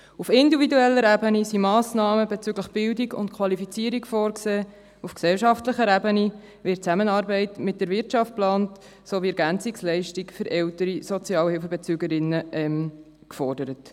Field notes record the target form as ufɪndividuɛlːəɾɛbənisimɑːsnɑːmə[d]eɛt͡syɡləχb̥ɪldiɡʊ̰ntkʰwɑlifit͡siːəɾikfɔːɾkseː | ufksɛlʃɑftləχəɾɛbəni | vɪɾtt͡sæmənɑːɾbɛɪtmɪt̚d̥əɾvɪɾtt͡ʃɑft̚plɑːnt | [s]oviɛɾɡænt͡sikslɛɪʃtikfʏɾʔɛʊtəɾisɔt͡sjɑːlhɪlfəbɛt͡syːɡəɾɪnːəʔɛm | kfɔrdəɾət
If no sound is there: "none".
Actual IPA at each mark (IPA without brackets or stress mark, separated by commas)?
b, s